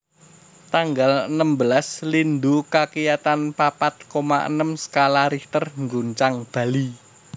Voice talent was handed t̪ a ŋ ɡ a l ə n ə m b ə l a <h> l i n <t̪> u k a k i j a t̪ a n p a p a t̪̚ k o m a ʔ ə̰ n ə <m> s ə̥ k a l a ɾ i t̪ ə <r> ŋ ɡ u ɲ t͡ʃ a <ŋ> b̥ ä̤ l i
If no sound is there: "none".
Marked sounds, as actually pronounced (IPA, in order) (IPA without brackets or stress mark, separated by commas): s, d̪, m, r, ŋ